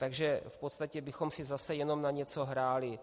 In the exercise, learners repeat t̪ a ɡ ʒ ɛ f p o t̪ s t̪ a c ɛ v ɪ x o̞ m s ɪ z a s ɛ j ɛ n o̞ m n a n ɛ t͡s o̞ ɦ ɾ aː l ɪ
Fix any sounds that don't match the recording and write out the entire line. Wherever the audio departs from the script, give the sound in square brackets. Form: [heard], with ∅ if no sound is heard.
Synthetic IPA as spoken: t̪ a ɡ ʒ ɛ f p o t̪ s t̪ a c ɛ [b] ɪ x o̞ m s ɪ z a s ɛ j ɛ n o̞ m n a [ɲ] ɛ t͡s o̞ ɦ ɾ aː l ɪ